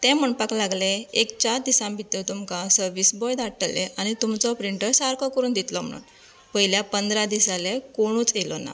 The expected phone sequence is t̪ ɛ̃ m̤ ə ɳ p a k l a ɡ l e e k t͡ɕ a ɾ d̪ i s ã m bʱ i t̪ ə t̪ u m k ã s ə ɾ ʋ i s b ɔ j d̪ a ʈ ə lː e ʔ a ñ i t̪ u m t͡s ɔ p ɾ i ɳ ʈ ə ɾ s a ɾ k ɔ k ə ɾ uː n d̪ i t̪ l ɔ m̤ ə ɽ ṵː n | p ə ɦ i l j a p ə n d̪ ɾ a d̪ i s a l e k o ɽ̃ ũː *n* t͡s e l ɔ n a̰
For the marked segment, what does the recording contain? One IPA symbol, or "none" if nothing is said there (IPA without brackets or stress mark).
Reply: none